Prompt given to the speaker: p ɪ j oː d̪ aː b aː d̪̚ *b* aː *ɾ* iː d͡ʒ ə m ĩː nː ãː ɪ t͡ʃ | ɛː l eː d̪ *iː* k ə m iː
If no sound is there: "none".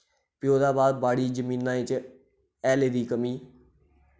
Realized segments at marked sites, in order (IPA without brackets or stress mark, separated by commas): b, ɽ, iː